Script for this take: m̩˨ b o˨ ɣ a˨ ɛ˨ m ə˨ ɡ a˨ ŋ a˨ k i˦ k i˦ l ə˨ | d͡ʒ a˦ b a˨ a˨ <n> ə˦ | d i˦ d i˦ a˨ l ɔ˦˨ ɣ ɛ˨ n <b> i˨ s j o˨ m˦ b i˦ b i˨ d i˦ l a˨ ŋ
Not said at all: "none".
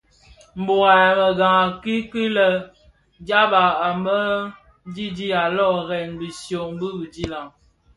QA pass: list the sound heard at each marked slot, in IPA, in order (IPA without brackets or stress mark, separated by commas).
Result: m, b